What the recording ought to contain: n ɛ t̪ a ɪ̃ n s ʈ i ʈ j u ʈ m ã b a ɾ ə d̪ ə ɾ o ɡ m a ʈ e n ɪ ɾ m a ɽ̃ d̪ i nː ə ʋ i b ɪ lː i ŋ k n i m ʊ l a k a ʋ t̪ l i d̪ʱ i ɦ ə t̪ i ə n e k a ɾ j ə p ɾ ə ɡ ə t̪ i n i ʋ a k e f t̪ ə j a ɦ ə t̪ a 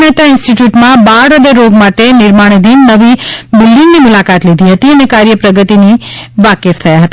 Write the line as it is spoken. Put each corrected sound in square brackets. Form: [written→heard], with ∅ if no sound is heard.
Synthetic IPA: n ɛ t̪ a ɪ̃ n s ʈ i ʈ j u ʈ m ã b a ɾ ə d̪ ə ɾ o ɡ m a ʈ e n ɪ ɾ m a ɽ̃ d̪ i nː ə ʋ i b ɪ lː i ŋ [k→ɡ] n i m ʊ l a k a [ʋ→∅] t̪ l i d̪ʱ i ɦ ə t̪ i ə n e k a ɾ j ə p ɾ ə ɡ ə t̪ i n i ʋ a k e f [t̪→t̪ʰ] ə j a ɦ ə t̪ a